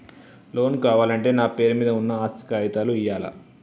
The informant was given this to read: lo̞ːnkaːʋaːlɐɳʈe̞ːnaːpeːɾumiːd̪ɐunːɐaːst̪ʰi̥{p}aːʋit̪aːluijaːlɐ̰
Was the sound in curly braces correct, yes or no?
no